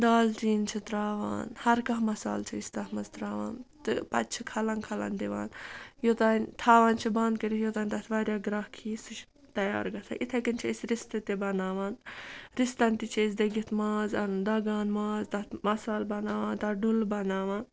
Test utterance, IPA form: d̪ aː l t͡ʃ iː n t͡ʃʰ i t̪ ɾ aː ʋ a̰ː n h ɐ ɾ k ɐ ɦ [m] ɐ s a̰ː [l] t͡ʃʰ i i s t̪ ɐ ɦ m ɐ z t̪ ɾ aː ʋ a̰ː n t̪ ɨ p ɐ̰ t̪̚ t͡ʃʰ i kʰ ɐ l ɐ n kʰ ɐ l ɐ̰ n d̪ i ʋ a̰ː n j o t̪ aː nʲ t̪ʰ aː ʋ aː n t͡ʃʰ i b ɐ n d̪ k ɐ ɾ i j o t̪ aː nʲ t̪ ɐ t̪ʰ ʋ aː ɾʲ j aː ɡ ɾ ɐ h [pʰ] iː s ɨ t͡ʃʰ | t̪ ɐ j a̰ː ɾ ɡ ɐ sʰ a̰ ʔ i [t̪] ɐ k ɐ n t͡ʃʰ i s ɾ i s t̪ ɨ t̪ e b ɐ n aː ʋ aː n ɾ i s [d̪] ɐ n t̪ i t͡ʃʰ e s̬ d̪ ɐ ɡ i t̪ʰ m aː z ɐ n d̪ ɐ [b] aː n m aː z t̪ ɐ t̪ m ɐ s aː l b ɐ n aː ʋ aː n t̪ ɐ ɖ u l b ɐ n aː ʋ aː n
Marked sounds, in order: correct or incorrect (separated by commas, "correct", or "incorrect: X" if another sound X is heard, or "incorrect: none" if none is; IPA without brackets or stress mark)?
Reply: correct, correct, incorrect: kʰ, incorrect: t̪ʰ, incorrect: t̪, incorrect: ɡ